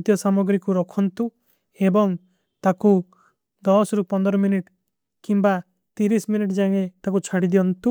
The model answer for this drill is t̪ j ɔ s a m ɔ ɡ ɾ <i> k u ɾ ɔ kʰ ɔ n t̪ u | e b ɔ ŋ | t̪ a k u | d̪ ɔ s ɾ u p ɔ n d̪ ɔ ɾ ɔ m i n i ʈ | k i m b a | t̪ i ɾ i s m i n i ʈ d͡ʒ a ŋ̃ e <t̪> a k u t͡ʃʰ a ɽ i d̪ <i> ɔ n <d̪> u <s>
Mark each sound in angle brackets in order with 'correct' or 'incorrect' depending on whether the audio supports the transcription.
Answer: correct, correct, correct, incorrect: t̪, incorrect: none

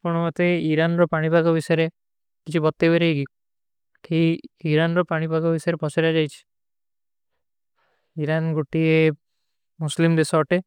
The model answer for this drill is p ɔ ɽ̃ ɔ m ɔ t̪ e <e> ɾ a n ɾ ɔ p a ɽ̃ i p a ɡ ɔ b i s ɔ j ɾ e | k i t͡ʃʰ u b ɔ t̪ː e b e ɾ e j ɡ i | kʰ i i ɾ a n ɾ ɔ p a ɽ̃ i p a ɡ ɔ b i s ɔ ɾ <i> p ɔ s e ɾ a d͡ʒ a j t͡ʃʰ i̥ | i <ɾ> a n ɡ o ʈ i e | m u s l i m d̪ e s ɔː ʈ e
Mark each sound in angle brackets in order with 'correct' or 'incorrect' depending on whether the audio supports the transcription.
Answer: incorrect: i, incorrect: e, correct

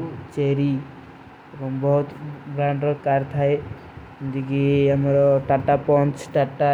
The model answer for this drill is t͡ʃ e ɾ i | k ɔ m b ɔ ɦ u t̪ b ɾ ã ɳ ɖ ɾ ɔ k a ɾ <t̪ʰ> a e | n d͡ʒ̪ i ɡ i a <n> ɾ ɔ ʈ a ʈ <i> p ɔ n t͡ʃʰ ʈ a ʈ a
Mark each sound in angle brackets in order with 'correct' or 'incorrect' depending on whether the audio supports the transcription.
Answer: correct, incorrect: m, incorrect: a

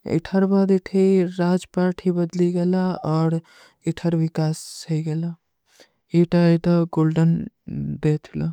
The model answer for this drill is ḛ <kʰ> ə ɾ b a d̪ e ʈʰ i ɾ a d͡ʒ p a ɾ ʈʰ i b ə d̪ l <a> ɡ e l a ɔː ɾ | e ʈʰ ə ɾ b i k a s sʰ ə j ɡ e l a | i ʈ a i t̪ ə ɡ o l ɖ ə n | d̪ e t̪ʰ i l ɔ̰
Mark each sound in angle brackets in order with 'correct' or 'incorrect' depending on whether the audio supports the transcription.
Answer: incorrect: ʈʰ, incorrect: i

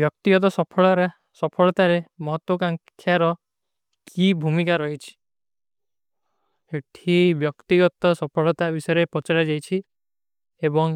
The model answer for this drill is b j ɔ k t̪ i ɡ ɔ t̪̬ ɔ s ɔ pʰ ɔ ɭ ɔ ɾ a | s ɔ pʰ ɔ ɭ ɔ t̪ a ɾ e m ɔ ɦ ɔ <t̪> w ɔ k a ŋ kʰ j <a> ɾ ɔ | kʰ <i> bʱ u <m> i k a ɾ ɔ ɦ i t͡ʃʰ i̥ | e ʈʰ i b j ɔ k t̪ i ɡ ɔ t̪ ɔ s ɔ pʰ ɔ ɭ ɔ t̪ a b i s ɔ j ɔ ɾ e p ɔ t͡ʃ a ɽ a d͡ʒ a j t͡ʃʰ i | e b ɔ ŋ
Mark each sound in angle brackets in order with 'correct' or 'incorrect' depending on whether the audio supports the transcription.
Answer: correct, correct, correct, correct

